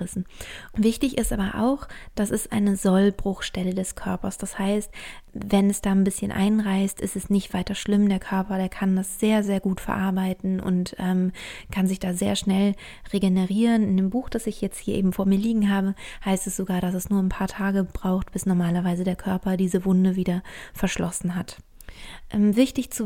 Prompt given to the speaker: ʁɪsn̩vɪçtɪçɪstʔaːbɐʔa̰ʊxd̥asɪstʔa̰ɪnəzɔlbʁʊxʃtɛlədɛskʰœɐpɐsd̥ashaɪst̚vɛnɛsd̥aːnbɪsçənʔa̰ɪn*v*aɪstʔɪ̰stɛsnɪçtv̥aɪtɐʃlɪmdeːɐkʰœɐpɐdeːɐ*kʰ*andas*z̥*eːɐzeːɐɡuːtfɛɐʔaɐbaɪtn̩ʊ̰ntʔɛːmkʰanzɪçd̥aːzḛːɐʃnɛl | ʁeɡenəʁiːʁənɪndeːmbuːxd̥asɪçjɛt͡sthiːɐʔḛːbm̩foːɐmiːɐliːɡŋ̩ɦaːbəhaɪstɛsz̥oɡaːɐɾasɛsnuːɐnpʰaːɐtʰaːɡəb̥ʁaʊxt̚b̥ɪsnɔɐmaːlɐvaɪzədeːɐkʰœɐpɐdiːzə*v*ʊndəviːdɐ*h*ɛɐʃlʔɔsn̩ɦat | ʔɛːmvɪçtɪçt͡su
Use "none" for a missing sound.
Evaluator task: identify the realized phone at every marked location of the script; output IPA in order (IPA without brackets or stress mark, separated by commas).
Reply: ʁ, kʰ, z̥, v, f